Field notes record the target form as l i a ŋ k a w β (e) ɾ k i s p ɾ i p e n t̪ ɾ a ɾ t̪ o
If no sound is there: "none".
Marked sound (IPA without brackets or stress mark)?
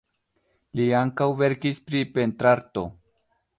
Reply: e